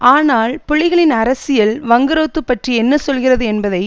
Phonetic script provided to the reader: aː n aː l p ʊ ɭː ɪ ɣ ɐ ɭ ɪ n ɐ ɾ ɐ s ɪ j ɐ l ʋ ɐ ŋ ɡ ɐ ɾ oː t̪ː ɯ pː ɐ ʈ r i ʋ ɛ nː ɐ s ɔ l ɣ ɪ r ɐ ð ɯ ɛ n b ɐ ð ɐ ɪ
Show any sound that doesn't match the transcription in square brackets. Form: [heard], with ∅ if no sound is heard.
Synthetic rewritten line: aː n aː l p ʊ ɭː ɪ ɣ ɐ ɭ ɪ n ɐ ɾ ɐ s ɪ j ɐ l ʋ ɐ ŋ ɡ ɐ ɾ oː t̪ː ɯ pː ɐ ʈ r i [∅] ɛ nː ɐ s ɔ l ɣ ɪ r ɐ ð ɯ ɛ n b ɐ ð ɐ ɪ